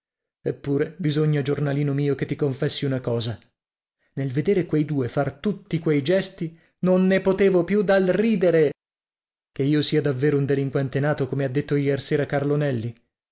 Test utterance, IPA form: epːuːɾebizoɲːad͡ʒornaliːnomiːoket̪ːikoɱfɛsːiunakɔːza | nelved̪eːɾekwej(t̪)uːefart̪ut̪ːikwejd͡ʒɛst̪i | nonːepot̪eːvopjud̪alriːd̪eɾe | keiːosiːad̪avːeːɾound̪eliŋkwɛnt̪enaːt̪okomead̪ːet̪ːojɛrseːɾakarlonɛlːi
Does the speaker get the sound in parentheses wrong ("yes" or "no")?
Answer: yes